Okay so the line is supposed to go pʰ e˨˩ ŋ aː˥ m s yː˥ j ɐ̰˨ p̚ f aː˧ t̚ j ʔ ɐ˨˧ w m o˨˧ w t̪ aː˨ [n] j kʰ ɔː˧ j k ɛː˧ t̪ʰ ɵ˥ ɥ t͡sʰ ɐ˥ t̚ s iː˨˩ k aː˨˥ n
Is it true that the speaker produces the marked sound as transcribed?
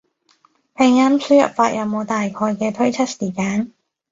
no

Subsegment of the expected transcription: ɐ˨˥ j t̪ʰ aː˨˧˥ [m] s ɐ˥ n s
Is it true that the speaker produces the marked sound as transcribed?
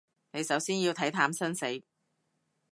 yes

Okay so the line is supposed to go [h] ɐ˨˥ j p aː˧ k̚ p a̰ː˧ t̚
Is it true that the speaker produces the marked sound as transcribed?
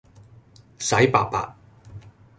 no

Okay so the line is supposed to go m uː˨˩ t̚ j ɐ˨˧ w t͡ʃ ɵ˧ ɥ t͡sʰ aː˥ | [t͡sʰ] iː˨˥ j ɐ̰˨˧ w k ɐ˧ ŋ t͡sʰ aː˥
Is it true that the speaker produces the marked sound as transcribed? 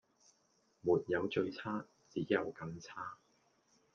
no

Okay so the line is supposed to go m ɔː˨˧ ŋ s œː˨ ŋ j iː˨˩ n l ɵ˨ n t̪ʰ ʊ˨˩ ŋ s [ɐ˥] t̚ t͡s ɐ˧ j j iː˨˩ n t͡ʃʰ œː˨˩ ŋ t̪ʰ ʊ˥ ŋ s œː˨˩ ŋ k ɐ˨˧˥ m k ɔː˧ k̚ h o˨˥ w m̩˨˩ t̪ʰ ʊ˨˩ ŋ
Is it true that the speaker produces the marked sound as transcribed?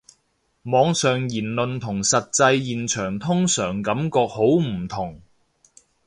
no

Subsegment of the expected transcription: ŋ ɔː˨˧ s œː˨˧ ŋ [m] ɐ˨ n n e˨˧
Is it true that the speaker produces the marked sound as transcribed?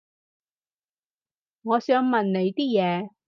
yes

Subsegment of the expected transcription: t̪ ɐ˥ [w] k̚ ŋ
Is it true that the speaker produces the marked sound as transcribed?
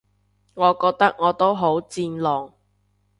no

